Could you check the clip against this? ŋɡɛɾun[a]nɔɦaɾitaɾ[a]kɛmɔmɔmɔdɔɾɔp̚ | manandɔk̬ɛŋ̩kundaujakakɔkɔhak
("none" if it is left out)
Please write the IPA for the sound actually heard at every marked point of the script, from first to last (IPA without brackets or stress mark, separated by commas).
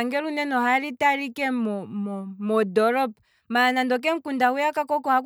ɛ, i